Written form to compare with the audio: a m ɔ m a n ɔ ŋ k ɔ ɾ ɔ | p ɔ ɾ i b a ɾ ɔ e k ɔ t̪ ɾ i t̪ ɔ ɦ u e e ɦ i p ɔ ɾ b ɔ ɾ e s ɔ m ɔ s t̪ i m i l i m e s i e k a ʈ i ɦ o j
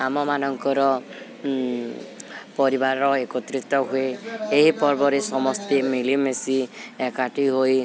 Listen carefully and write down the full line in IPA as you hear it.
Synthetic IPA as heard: a m ɔ m a n ɔ ŋ k ɔ ɾ ɔ | p ɔ ɾ i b a ɾ ɔ e k ɔ t̪ ɾ i t̪ ɔ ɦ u e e ɦ i p ɔ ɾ b ɔ ɾ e s ɔ m ɔ s t̪ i m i l i m e s i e k a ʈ i ɦ o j

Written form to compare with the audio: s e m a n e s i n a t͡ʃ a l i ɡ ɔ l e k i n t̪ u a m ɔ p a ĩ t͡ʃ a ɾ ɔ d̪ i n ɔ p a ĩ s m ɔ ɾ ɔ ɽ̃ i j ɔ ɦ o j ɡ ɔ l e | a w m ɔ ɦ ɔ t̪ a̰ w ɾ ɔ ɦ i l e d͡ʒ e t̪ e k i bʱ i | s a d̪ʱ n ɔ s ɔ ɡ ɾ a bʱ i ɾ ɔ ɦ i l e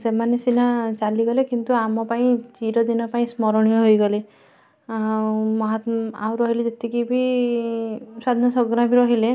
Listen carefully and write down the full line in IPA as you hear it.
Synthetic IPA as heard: s e m a n e s i n a t͡ʃ a l i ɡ ɔ l e k i n t̪ u a m ɔ p a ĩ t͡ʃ i ɾ ɔ d̪ i n ɔ p a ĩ s m ɔ ɾ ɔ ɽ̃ i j ɔ ɦ o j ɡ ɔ l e | a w m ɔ ɦ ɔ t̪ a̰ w ɾ ɔ ɦ i l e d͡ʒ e t̪ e k i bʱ i | s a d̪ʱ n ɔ s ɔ ɡ ɾ a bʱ i ɾ ɔ ɦ i l e

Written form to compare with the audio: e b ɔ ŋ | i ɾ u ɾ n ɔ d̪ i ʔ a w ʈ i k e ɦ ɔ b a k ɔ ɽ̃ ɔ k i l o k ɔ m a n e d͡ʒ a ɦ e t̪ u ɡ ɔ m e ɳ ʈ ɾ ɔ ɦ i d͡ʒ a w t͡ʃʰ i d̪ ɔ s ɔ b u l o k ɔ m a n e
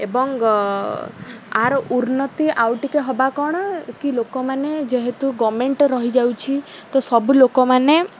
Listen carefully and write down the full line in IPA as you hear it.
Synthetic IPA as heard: e b ɔ ŋ | a ɾ u ɾ n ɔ t̪ i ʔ a w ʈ i k e ɦ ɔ b a k ɔ ɽ̃ ɔ k i l o k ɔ m a n e d͡ʒ e ɦ e t̪ u ɡ ɔ m e ɳ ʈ ɾ ɔ ɦ i d͡ʒ a w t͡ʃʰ i t̪ ɔ s ɔ b u l o k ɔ m a n e

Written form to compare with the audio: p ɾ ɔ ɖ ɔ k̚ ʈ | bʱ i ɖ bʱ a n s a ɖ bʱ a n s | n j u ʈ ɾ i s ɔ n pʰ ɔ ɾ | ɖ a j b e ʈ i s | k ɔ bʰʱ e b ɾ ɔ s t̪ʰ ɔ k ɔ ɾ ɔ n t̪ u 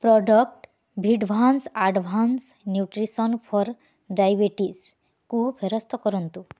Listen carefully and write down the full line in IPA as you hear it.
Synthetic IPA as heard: p ɾ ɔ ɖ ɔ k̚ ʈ | bʱ i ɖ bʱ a n s a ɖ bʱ a n s | n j u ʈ ɾ i s ɔ n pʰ ɔ ɾ | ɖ a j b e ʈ i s | k u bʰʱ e ɾ ɔ s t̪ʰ ɔ k ɔ ɾ ɔ n t̪ u

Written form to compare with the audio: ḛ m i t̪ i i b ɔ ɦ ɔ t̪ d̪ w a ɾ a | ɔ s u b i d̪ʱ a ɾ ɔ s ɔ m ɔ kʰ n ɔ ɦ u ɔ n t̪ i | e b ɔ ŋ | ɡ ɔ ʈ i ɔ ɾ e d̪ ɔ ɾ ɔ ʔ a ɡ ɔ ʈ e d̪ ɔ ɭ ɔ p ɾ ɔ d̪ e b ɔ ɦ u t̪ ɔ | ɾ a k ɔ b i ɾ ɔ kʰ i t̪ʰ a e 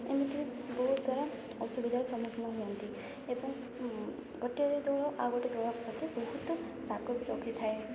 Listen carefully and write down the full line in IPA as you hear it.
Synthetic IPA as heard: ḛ m i t̪ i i b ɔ ɦ u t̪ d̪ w a ɾ a | ɔ s u b i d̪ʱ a ɾ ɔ s ɔ m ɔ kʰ n ɔ ɦ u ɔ n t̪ i | e b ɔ ŋ | ɡ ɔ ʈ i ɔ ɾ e d̪ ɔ ɭ ɔ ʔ a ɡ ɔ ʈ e d̪ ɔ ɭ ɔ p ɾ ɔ t̪ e b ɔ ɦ u t̪ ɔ | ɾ a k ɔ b i ɾ ɔ kʰ i t̪ʰ a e

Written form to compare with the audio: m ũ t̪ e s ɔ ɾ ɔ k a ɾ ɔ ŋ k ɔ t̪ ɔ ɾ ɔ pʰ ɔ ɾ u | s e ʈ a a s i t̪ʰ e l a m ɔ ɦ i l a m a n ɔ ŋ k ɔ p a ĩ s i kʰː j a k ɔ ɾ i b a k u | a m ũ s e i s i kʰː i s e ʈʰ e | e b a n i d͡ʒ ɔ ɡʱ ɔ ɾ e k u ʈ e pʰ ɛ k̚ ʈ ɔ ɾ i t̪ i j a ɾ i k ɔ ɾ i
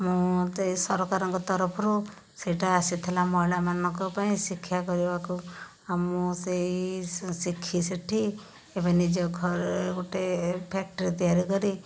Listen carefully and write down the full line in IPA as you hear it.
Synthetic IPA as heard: m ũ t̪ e s ɔ ɾ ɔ k a ɾ ɔ ŋ k ɔ t̪ ɔ ɾ ɔ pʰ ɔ ɾ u | s e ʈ a a s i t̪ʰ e l a m ɔ ɦ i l a m a n ɔ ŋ k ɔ p a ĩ s i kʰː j a k ɔ ɾ i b a k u | a m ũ s e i s i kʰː i s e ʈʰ i | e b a n i d͡ʒ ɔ ɡʱ ɔ ɾ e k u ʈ e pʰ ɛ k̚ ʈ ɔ ɾ i t̪ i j a ɾ i k ɔ ɾ i

